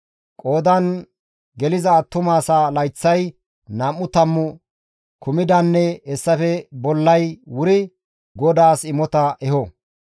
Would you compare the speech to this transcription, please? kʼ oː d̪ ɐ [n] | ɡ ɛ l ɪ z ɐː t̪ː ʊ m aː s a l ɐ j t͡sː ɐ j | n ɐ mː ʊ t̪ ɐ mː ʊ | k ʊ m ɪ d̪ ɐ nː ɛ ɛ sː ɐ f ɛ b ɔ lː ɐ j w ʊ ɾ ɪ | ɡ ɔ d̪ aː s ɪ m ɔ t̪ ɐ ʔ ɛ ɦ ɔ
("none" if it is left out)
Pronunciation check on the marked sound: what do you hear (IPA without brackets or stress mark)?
n